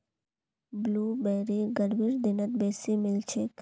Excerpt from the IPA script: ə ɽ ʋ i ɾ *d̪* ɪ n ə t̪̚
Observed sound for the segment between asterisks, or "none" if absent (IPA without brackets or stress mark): d̪